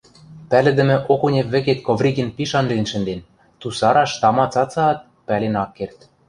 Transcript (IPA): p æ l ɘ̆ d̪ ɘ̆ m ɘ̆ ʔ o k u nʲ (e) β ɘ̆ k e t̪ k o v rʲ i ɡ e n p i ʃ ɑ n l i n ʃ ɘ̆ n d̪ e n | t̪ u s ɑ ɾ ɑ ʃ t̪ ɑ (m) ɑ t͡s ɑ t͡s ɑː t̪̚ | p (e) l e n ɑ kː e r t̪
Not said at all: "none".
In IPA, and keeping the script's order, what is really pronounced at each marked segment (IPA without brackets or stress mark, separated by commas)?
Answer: e, m, æ